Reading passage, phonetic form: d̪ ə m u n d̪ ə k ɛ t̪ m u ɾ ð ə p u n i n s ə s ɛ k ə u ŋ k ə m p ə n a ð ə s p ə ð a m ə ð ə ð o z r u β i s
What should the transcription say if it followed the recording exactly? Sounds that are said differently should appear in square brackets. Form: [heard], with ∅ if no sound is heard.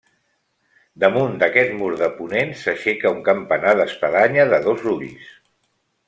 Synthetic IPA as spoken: d̪ ə m u n d̪ ə k ɛ t̪ m u ɾ ð ə p u n [e] n s ə [ʃ] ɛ k ə u ŋ k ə m p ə n a ð ə s p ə ð a [ɲ] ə ð ə ð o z r u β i s